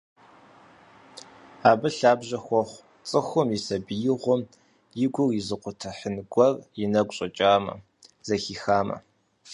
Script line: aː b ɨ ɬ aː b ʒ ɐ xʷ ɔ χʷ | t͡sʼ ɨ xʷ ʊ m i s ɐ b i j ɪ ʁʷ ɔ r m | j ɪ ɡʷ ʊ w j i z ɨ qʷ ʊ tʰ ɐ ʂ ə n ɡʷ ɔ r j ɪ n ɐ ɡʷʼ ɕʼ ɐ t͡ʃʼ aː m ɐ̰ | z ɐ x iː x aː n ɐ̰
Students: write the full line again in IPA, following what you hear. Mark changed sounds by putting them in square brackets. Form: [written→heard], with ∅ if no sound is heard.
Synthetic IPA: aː b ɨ ɬ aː b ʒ ɐ xʷ ɔ χʷ | t͡sʼ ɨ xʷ ʊ m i s ɐ b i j ɪ ʁʷ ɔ [r→∅] m | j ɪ ɡʷ ʊ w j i z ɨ qʷ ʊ tʰ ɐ [ʂ→ħ] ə n ɡʷ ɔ r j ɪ n ɐ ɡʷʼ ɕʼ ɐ t͡ʃʼ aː m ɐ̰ | z ɐ x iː x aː [n→m] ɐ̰